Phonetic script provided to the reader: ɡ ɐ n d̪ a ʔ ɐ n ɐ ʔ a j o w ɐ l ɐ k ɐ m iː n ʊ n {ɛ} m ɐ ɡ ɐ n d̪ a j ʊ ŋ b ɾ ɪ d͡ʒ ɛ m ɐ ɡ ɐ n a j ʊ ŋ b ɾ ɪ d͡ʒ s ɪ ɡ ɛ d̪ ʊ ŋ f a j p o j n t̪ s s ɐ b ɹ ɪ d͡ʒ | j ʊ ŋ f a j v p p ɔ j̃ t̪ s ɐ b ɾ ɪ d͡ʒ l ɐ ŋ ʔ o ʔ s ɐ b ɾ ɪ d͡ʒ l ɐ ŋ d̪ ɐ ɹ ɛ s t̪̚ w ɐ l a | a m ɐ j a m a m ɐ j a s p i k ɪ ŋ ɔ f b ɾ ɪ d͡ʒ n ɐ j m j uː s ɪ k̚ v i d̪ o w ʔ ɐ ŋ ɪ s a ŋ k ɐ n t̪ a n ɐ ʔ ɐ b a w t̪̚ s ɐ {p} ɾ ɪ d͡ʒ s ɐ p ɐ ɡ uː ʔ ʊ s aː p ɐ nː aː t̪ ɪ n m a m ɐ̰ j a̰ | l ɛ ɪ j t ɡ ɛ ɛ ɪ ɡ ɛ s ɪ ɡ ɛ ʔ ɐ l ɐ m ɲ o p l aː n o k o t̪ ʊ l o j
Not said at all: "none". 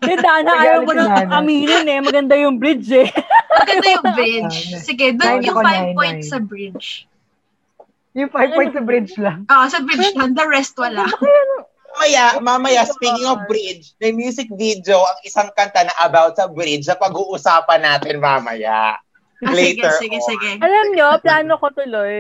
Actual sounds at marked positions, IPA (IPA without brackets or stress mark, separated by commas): ɛ, b